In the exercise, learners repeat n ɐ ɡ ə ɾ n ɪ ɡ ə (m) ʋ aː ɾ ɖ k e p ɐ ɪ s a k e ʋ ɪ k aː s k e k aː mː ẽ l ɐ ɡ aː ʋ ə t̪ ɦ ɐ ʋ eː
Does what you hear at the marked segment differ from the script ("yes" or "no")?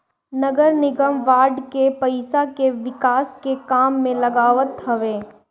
no